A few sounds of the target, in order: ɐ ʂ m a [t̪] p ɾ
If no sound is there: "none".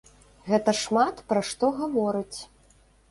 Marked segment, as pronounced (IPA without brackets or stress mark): t̪